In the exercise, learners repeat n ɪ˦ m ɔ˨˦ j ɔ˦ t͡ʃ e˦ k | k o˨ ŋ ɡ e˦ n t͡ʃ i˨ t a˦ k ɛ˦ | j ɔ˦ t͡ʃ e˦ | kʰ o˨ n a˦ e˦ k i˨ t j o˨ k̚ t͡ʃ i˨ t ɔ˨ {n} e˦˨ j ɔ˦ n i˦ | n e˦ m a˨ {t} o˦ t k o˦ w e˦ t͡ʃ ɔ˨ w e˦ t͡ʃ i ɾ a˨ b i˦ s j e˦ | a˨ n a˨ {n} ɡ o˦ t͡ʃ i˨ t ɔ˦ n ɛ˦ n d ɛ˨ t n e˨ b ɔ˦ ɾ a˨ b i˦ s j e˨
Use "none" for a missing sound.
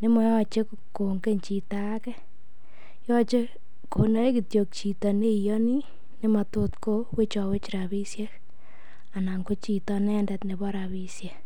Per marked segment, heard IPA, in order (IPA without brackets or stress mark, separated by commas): n, t, ŋ